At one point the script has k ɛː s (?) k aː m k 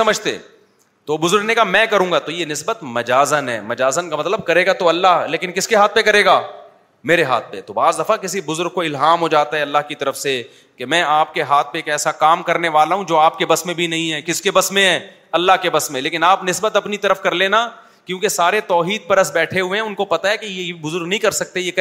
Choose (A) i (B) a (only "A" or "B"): B